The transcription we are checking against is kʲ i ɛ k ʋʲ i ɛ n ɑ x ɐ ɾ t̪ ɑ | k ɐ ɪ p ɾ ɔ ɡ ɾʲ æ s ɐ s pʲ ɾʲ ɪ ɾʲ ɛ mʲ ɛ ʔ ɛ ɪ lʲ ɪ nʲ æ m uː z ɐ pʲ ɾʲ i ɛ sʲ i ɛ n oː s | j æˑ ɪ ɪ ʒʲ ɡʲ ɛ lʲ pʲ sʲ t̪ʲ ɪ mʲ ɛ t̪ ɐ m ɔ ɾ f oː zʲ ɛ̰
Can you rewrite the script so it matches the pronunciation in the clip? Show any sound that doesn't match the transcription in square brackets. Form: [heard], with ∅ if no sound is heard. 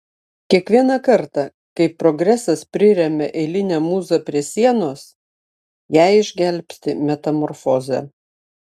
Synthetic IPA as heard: kʲ i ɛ k ʋʲ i ɛ n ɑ [k] ɐ ɾ t̪ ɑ | k ɐ ɪ p ɾ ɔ ɡ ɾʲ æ s ɐ s pʲ ɾʲ ɪ ɾʲ ɛ mʲ ɛ ʔ ɛ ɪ lʲ ɪ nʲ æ m uː z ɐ pʲ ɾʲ i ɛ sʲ i ɛ n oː s | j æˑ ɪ ɪ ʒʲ ɡʲ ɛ lʲ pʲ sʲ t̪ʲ ɪ mʲ ɛ t̪ ɐ m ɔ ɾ f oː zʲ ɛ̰

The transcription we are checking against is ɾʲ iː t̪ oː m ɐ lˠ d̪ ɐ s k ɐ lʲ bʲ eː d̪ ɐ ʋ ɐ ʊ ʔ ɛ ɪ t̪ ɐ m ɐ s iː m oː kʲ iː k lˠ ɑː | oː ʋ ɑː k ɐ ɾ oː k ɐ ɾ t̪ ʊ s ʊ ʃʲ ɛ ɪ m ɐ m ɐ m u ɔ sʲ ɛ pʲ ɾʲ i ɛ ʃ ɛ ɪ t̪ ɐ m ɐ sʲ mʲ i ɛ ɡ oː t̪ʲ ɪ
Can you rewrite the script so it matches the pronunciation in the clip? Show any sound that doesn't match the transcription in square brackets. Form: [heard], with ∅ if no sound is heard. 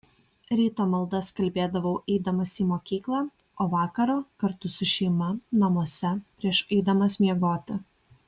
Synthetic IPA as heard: ɾʲ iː t̪ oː m ɐ lˠ d̪ ɐ s k ɐ lʲ bʲ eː d̪ ɐ ʋ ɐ ʊ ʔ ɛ ɪ [d̪] ɐ m ɐ s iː m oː kʲ iː k lˠ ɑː | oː ʋ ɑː k ɐ ɾ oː k ɐ ɾ t̪ ʊ s ʊ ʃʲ ɛ ɪ m ɐ [n] ɐ m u ɔ sʲ ɛ pʲ ɾʲ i ɛ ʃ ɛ ɪ [d̪] ɐ m ɐ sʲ mʲ i ɛ ɡ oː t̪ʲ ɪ

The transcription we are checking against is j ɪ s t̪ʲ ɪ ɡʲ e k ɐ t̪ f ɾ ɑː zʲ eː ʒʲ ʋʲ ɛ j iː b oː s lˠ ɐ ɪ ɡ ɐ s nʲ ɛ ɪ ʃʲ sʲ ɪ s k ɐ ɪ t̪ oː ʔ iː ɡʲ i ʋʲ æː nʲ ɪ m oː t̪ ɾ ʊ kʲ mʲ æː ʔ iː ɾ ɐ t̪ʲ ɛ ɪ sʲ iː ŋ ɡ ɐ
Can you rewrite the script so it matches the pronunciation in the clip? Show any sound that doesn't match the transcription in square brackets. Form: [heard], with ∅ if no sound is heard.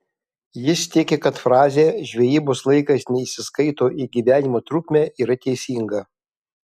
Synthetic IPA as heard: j ɪ s t̪ʲ ɪ [kʲ] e k ɐ t̪ f ɾ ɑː zʲ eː ʒʲ ʋʲ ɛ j iː b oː s lˠ ɐ ɪ [k] ɐ s nʲ ɛ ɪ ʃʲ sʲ ɪ s k ɐ ɪ t̪ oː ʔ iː ɡʲ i ʋʲ æː nʲ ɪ m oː t̪ ɾ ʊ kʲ mʲ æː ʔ iː ɾ ɐ t̪ʲ ɛ ɪ sʲ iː ŋ ɡ ɐ

